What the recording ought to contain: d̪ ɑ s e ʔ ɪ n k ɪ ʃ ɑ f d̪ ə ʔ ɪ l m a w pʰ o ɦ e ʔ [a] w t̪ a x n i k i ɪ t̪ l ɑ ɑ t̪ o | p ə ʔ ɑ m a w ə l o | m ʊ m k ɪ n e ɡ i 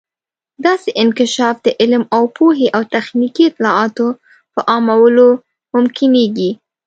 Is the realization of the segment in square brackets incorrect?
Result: no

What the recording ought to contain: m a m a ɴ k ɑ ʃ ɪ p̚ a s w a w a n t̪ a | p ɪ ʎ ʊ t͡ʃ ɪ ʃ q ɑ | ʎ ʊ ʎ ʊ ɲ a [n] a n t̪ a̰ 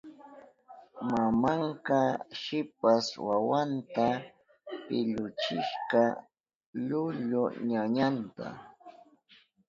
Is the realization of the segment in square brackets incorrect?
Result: yes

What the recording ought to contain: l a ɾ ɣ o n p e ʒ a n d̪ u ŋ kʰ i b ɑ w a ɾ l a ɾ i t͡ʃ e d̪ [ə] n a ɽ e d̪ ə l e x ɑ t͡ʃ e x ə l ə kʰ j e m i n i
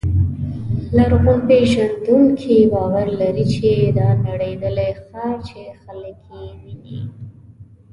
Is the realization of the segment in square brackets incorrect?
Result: yes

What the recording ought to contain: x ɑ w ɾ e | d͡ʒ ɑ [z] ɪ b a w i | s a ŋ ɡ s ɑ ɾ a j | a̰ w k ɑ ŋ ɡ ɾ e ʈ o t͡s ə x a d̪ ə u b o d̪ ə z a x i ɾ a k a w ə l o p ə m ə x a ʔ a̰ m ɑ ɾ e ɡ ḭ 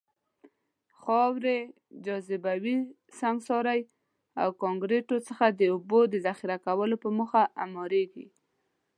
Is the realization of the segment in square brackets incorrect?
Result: no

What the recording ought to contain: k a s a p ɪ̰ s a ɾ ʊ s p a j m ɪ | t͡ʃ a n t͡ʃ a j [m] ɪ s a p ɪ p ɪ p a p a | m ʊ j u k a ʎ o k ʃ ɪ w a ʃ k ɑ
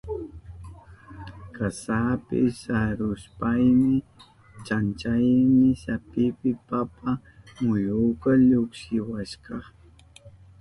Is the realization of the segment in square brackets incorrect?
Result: no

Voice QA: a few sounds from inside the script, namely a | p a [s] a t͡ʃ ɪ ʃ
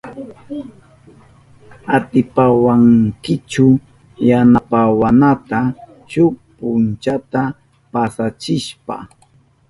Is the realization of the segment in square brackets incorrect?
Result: no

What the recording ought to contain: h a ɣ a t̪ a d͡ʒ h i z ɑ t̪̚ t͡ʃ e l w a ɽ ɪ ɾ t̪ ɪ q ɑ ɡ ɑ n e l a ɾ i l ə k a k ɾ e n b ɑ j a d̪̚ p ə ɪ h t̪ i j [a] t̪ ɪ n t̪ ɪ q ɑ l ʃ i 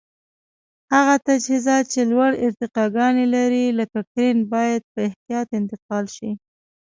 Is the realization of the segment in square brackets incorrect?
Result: yes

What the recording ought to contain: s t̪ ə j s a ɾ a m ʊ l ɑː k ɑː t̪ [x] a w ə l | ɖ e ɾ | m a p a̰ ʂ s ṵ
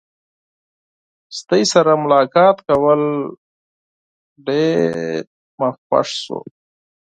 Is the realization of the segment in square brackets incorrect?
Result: yes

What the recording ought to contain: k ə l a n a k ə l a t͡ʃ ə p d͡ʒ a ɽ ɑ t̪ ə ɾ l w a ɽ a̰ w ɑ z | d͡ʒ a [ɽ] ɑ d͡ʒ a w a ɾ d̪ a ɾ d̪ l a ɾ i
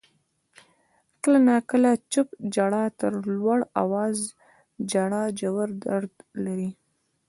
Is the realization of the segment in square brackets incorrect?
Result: no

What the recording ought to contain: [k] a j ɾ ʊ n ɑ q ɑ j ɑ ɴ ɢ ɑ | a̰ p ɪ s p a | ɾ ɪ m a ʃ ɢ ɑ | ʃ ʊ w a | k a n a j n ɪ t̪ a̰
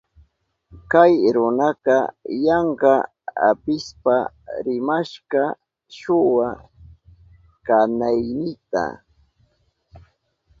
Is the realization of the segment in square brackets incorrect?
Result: no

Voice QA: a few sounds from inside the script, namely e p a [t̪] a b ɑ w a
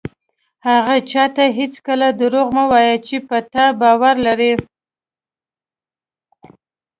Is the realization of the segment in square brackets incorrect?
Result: no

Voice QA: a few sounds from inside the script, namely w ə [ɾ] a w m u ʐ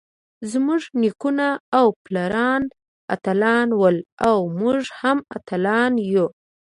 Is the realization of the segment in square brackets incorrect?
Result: yes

